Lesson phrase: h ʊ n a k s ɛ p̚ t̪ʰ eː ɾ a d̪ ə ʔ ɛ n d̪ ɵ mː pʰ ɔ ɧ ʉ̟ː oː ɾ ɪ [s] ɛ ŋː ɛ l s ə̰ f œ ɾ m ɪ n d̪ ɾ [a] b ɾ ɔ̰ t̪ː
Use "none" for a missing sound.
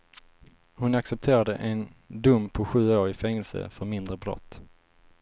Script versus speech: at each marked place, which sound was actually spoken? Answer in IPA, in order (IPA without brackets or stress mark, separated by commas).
f, ə